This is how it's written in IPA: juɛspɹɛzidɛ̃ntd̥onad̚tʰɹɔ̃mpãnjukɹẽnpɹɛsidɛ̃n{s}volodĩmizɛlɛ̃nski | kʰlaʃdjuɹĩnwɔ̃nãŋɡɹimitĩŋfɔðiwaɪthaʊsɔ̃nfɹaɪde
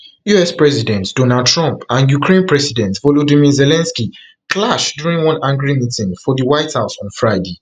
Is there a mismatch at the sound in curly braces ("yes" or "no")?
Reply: yes